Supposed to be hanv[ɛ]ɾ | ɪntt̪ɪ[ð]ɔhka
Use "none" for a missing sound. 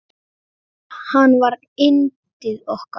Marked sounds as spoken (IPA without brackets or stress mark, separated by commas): a, ð